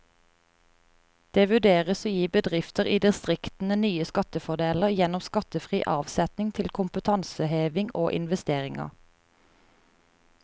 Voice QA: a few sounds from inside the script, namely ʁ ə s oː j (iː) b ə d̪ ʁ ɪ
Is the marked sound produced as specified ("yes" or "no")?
yes